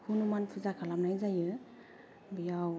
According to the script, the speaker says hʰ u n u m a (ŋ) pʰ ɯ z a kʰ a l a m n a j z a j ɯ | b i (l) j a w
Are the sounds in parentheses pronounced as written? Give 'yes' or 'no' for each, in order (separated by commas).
no, no